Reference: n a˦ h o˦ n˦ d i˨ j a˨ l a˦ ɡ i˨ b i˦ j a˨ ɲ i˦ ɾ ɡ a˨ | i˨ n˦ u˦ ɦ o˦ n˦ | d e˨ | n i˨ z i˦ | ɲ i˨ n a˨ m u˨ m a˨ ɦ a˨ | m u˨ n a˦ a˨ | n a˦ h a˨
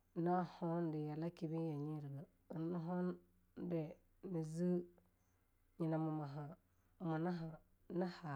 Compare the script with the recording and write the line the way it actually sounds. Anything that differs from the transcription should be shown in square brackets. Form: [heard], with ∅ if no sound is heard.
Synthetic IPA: n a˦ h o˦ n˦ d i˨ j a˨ l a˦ [k] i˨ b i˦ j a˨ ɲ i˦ ɾ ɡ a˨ | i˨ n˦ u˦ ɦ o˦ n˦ | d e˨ | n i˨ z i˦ | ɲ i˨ n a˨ m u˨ m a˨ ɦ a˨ | m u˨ n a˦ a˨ | n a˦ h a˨